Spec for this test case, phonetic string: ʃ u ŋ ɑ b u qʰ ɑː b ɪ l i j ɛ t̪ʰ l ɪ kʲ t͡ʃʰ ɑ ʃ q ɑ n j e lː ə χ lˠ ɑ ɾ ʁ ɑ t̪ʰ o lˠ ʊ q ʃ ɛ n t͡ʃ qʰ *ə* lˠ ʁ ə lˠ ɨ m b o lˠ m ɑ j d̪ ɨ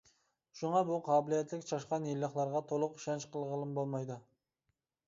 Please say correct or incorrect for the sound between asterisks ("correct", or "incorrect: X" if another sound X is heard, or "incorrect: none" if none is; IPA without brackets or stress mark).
correct